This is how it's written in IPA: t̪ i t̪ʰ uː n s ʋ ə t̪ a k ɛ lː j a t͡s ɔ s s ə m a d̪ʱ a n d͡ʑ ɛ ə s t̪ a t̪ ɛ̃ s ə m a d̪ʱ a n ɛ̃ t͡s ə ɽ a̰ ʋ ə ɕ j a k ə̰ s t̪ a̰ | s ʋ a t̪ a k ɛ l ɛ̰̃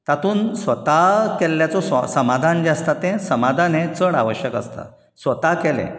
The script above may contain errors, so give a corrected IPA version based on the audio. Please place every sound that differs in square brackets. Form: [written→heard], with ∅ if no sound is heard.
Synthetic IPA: t̪ [i→a] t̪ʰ uː n s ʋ ə t̪ a k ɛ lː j a t͡s ɔ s s ə m a d̪ʱ a n d͡ʑ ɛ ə s t̪ a t̪ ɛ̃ s ə m a d̪ʱ a n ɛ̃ t͡s ə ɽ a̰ ʋ ə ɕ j [a→ə] k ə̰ s t̪ a̰ | s ʋ [a→ə] t̪ a k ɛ l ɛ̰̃

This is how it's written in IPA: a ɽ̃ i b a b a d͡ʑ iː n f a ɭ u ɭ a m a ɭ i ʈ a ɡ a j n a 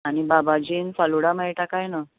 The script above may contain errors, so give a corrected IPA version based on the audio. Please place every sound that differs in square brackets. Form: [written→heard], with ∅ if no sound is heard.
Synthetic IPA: a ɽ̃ i b a b a d͡ʑ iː n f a [ɭ→l] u [ɭ→ɽ] a m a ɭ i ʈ a [ɡ→k] a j n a

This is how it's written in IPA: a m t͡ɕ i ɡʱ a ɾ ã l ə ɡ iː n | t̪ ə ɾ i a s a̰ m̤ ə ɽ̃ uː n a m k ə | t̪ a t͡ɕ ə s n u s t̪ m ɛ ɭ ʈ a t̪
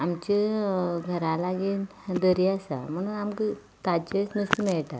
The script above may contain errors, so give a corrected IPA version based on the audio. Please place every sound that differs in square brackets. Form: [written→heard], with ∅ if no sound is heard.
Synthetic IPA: a m t͡ɕ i ɡʱ [a→ə] ɾ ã l [ə→a] ɡ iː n | [t̪→d̪] ə ɾ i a s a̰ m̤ ə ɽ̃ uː n a m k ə | t̪ a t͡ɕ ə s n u s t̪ m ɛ ɭ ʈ a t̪

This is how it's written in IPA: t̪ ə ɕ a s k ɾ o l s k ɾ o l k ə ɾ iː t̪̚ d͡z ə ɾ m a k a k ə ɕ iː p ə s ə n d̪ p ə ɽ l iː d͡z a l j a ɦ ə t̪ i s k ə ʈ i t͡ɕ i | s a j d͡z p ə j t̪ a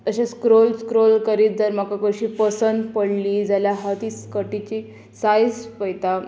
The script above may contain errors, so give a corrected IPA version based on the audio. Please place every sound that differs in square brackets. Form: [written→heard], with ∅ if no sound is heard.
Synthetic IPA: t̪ ə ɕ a s k ɾ o l s k ɾ o l k ə ɾ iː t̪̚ d͡z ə ɾ m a k a k ə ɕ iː p ə s ə n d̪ p ə ɽ l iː d͡z a l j a ɦ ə t̪ i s k ə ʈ i t͡ɕ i | s a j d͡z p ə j t̪ a

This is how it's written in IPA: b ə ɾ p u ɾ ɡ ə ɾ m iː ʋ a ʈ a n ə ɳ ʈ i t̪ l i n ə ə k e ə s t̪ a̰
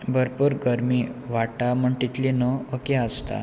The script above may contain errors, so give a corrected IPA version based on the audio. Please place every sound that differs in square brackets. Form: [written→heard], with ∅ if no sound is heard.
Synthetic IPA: b ə ɾ p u ɾ ɡ ə ɾ m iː ʋ a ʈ a [n→m] ə ɳ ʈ i t̪ l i n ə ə k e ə s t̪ a̰

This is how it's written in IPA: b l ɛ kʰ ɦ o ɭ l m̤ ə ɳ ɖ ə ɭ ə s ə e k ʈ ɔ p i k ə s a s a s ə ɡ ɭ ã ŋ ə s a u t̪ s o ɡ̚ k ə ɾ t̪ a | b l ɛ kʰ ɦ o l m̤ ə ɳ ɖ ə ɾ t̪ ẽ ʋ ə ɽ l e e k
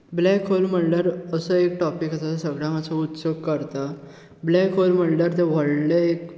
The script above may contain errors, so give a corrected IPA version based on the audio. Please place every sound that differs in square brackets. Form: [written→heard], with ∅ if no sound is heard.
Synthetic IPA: b l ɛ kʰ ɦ o [ɭ→∅] l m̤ ə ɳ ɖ ə [ɭ→ɾ] ə s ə e k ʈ ɔ p i k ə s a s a s ə ɡ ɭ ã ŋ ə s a u t̪ s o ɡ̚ k ə ɾ t̪ a | b l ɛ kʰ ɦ o l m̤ ə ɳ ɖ ə ɾ t̪ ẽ ʋ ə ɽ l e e k

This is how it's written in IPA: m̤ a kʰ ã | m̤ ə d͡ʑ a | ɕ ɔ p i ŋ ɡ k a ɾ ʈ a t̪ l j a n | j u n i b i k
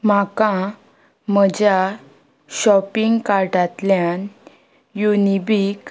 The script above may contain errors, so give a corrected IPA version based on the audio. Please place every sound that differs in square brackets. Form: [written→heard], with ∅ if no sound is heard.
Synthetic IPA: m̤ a [kʰ→k] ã | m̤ ə d͡ʑ a | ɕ ɔ p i ŋ ɡ k a ɾ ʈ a t̪ l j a n | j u n i b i k

